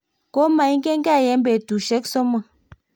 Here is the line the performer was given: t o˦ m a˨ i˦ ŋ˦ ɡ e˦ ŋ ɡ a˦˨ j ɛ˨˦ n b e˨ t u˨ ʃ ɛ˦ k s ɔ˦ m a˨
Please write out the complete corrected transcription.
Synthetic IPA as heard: k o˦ m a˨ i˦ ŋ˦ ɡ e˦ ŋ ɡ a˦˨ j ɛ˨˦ m b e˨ t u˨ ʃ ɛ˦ k s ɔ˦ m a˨